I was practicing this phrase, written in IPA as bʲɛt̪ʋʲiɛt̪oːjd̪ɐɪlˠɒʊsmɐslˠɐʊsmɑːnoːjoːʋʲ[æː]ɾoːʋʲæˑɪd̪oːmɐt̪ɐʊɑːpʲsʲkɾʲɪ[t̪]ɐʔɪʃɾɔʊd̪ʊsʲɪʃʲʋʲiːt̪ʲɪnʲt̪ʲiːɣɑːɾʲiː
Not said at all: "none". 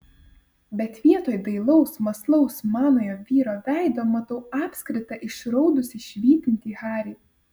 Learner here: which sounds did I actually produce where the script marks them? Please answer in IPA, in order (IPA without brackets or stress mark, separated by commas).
iː, t̪